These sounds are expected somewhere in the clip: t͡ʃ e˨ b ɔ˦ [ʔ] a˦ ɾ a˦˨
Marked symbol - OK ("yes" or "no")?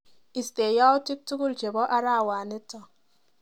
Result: yes